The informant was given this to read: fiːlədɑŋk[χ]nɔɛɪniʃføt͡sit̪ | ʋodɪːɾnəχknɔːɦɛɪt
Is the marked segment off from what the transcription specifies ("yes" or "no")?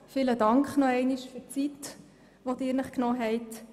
no